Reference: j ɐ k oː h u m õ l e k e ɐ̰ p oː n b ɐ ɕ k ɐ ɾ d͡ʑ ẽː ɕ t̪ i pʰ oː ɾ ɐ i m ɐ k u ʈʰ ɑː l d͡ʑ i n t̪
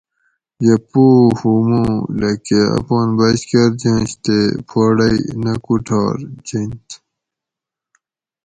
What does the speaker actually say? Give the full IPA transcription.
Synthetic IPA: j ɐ p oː h u m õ l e k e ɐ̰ p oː n b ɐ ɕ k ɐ ɾ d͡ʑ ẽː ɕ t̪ e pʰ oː ɽ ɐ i n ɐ k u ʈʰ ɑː ɾ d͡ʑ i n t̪